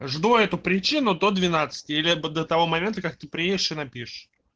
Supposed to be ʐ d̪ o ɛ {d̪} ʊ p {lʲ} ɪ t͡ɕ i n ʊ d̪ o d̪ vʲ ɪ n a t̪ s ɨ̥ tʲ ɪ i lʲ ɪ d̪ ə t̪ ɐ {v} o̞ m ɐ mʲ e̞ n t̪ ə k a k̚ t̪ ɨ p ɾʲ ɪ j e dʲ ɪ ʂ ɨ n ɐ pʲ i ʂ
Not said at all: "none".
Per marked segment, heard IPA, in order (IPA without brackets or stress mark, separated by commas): t̪, ɾʲ, v